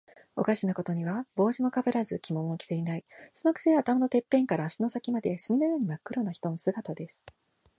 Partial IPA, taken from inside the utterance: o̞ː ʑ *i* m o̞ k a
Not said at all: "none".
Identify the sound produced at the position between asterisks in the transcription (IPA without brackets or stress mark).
i